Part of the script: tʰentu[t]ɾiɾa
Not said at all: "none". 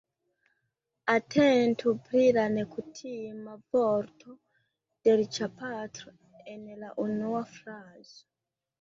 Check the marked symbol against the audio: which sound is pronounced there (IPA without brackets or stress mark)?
p